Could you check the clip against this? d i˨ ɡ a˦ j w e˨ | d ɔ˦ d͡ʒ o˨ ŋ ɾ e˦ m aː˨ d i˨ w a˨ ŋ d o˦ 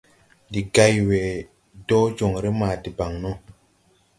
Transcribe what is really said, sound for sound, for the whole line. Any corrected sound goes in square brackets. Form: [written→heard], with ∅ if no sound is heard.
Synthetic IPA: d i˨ ɡ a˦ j w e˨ | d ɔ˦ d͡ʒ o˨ ŋ ɾ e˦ m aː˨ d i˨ [w→b] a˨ ŋ [d→n] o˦